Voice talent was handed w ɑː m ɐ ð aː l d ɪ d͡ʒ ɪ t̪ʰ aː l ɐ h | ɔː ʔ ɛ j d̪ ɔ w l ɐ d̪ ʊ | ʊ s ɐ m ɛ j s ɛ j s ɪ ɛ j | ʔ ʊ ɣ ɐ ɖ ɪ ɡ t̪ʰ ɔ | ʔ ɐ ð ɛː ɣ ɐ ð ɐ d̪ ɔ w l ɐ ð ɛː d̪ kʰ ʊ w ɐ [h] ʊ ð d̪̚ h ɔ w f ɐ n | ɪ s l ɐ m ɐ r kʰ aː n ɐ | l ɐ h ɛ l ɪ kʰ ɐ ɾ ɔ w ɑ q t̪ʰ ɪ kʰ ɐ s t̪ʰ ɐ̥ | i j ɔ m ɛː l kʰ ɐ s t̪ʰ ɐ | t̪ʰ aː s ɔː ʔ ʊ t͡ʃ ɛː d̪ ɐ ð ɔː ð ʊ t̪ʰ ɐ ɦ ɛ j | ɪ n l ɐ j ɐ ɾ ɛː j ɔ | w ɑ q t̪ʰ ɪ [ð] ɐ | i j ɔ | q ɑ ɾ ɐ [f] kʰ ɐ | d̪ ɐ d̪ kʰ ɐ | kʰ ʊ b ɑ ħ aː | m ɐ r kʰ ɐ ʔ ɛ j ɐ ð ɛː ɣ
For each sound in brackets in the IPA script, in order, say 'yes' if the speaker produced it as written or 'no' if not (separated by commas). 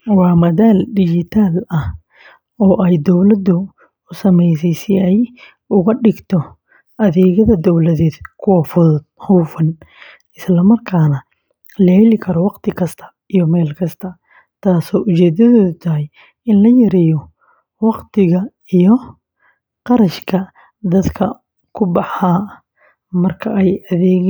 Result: no, no, no